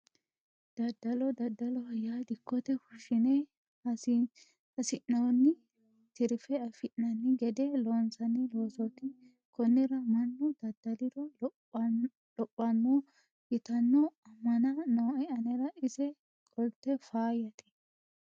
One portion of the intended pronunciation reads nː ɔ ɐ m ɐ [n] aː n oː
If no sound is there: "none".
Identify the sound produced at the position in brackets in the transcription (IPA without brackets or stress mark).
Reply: n